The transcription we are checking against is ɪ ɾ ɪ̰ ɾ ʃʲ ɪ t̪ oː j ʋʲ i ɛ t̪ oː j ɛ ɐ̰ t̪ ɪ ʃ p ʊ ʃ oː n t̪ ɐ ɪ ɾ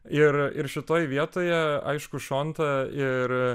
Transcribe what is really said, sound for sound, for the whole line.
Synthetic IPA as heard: ɪ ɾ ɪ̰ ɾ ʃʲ ɪ t̪ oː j ʋʲ i ɛ t̪ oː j ɛ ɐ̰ ɪ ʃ k ʊ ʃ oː n t̪ ɐ ɪ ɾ